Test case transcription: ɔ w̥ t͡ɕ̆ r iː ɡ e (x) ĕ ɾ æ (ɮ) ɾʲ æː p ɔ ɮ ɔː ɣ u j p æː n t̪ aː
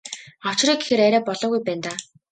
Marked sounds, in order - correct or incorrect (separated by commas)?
correct, incorrect